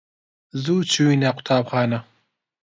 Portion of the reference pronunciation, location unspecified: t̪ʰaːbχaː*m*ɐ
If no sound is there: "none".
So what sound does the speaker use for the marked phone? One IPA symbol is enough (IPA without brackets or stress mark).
n